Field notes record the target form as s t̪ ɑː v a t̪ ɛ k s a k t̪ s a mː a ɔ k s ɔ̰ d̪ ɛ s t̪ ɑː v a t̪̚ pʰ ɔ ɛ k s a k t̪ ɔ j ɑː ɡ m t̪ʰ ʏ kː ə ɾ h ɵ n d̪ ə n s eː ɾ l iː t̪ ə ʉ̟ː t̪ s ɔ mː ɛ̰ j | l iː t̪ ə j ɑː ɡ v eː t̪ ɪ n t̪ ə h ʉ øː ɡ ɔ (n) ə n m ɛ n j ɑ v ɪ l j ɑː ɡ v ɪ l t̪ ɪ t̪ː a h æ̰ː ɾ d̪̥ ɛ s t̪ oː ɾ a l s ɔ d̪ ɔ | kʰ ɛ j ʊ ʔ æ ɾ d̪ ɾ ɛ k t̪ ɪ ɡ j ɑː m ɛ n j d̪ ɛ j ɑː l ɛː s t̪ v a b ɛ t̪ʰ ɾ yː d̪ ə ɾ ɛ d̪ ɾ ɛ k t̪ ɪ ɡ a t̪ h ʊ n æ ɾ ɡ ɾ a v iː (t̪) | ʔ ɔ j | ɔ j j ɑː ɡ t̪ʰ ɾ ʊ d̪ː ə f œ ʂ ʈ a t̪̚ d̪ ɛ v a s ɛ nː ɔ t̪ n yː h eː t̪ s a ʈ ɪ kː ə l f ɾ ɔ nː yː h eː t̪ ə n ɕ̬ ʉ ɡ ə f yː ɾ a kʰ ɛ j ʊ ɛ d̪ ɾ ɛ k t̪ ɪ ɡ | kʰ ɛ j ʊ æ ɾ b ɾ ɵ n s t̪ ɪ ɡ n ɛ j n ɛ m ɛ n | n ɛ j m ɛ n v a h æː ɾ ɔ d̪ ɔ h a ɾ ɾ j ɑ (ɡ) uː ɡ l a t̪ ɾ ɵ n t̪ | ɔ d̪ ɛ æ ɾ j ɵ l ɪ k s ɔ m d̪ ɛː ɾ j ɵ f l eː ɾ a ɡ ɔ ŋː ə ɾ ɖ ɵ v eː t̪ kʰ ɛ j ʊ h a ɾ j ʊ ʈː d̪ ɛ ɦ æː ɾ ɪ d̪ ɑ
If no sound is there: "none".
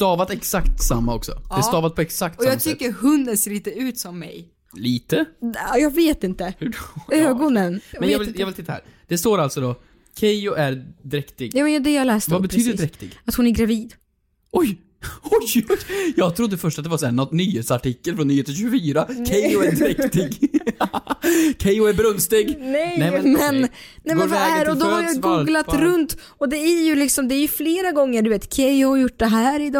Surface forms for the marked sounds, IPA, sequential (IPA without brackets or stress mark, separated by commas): n, d̪, ɡ